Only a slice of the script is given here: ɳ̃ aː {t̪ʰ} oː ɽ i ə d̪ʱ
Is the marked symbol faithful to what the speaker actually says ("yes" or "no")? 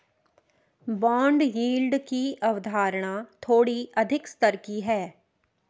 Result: yes